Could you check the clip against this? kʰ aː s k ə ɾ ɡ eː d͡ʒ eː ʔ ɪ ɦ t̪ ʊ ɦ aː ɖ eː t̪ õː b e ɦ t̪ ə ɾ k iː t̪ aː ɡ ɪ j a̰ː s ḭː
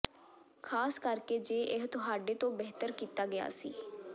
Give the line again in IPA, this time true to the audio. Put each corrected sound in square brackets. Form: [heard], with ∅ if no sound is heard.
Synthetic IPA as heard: kʰ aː s k ə ɾ [k] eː d͡ʒ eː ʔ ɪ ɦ t̪ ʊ ɦ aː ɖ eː t̪ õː b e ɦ t̪ ə ɾ k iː t̪ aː ɡ ɪ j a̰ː s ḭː

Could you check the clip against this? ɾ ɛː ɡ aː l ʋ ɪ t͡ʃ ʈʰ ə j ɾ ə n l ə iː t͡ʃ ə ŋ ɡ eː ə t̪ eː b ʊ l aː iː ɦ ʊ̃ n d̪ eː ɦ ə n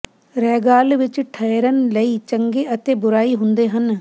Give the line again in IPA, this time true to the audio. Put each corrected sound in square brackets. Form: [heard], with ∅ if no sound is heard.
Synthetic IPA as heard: ɾ ɛː ɡ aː l ʋ ɪ t͡ʃ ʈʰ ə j ɾ ə n l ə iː t͡ʃ ə ŋ ɡ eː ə t̪ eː b ʊ [ɾ] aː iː ɦ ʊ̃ n d̪ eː ɦ ə n

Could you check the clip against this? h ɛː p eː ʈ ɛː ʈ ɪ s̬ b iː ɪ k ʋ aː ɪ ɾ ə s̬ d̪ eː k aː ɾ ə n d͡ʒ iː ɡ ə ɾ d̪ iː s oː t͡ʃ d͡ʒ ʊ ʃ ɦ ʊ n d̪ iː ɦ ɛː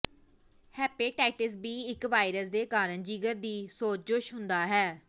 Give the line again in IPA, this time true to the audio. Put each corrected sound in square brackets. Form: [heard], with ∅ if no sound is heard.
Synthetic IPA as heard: h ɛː p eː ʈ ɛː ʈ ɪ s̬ b iː ɪ k ʋ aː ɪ ɾ ə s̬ d̪ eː k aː ɾ ə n d͡ʒ iː ɡ ə ɾ d̪ iː s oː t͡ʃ d͡ʒ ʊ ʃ ɦ ʊ n d̪ [aː] ɦ ɛː

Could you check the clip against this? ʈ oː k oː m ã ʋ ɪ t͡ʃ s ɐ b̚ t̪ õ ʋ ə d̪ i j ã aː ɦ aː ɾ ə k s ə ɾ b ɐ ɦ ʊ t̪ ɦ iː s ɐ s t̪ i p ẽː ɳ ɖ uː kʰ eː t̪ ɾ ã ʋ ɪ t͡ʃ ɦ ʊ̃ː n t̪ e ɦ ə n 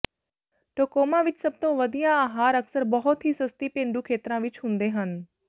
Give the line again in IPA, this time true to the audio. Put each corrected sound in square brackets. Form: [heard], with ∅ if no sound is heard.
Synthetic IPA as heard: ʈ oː k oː m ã ʋ ɪ t͡ʃ s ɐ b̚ t̪ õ ʋ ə d̪ i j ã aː ɦ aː ɾ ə k s ə ɾ b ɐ ɦ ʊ t̪ ɦ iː s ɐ s t̪ i p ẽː ɳ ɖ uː kʰ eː t̪ ɾ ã ʋ ɪ t͡ʃ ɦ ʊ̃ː n [d̪] e ɦ ə n

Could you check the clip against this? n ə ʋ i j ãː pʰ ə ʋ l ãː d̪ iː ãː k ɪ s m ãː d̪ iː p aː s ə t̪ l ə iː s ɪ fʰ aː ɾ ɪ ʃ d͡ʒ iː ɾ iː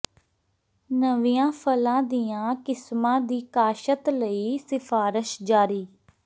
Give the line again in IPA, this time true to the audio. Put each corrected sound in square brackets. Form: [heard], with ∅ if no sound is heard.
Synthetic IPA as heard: n ə ʋ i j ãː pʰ ə [∅] l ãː d̪ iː ãː k ɪ s m ãː d̪ iː [k] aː [ʃ] ə t̪ l ə iː s ɪ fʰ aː ɾ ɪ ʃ d͡ʒ [aː] ɾ iː

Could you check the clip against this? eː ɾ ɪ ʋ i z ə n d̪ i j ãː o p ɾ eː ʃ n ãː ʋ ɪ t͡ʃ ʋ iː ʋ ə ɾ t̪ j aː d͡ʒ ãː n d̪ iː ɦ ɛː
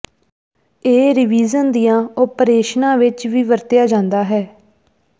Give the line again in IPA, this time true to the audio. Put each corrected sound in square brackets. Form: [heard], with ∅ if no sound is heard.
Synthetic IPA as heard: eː ɾ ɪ ʋ [iː] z ə n d̪ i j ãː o p ɾ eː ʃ n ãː ʋ ɪ t͡ʃ ʋ iː ʋ ə ɾ t̪ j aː d͡ʒ ãː n d̪ [aː] ɦ ɛː

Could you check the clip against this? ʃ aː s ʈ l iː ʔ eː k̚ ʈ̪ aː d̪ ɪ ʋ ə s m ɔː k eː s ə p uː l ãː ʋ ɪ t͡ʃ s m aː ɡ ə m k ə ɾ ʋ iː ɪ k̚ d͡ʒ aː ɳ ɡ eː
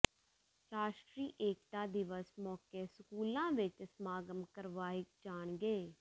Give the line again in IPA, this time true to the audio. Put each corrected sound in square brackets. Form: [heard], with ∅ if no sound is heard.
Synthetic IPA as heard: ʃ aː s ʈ [ɾ] iː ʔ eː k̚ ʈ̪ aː d̪ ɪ ʋ ə s m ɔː k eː s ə [k] uː l ãː ʋ ɪ t͡ʃ s m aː ɡ ə m k ə ɾ ʋ [aː] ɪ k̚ d͡ʒ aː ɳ ɡ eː

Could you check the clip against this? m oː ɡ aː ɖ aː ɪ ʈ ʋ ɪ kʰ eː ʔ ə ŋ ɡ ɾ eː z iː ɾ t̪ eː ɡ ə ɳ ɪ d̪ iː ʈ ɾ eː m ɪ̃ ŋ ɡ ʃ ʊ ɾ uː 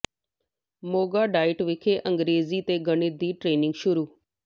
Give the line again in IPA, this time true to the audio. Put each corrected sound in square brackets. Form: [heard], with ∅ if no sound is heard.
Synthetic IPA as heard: m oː ɡ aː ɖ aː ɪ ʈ ʋ ɪ kʰ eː ʔ ə ŋ ɡ ɾ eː z iː [∅] t̪ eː ɡ ə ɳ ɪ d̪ iː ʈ ɾ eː [n] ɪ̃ ŋ ɡ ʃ ʊ ɾ uː

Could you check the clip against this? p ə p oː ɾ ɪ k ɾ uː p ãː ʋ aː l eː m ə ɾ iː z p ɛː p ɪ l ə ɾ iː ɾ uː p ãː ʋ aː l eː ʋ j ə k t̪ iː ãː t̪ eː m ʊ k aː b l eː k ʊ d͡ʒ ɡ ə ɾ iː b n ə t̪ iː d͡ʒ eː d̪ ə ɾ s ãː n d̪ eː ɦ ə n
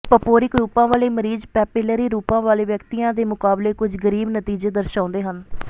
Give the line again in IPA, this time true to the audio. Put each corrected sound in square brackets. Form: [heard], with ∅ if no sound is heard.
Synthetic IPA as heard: p ə p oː ɾ ɪ k ɾ uː p ãː ʋ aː l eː m ə ɾ iː z p ɛː p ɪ l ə ɾ iː ɾ uː p ãː ʋ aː l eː ʋ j ə k t̪ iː ãː [d̪] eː m ʊ k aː b l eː k ʊ d͡ʒ ɡ ə ɾ iː b n ə t̪ iː d͡ʒ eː d̪ ə ɾ [ʃ] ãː n d̪ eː ɦ ə n

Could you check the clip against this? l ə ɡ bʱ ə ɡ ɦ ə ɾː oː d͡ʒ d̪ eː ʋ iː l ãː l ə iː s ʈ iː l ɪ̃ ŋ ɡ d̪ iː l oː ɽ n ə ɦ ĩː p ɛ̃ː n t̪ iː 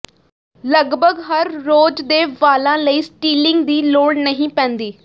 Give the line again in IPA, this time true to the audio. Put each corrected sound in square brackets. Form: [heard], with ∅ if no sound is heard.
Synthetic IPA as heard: l ə ɡ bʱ ə ɡ ɦ ə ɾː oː d͡ʒ d̪ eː ʋ [aː] l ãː l ə iː s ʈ iː l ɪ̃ ŋ ɡ d̪ iː l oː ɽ n ə ɦ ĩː p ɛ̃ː n [d̪] iː

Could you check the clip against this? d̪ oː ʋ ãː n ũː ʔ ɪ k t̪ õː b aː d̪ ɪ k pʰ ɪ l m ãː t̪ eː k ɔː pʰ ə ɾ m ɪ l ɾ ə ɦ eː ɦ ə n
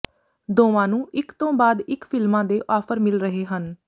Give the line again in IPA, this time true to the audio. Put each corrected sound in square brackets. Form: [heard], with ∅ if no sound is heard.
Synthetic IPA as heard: d̪ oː ʋ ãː n ũː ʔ ɪ k t̪ õː b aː d̪ ɪ k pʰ ɪ l m ãː [d̪] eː [ʔ] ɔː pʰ ə ɾ m ɪ l ɾ ə ɦ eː ɦ ə n

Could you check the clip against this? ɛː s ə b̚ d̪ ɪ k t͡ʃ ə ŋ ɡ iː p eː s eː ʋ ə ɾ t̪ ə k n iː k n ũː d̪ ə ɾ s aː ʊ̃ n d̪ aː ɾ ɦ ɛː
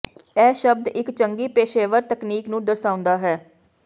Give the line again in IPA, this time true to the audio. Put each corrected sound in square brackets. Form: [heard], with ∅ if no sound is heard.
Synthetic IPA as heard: ɛː [ʃ] ə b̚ d̪ ɪ k t͡ʃ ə ŋ ɡ iː p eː [ʃ] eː ʋ ə ɾ t̪ ə k n iː k n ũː d̪ ə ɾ s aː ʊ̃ n d̪ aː [∅] ɦ ɛː

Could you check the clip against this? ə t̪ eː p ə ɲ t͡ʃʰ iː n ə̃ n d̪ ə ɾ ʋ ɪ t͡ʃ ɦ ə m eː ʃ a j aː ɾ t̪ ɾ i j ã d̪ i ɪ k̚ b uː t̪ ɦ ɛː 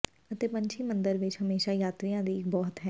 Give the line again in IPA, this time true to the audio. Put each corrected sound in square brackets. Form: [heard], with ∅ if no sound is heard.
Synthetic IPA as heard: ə t̪ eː p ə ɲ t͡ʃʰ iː [m] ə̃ n d̪ ə ɾ ʋ ɪ t͡ʃ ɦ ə m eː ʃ a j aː [∅] t̪ ɾ i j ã d̪ i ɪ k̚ b [ɔː] t̪ ɦ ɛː

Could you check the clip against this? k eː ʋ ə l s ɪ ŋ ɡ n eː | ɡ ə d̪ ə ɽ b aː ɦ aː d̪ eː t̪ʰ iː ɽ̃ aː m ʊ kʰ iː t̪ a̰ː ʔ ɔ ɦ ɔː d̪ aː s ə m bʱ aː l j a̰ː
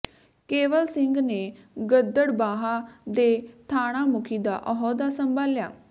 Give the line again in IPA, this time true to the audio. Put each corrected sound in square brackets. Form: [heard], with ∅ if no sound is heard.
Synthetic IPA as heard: k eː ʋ ə l s ɪ ŋ ɡ n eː | ɡ ə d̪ ə ɽ b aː ɦ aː d̪ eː t̪ʰ [aː] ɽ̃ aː m ʊ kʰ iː [d̪] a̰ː ʔ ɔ ɦ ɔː d̪ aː s ə m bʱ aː l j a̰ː

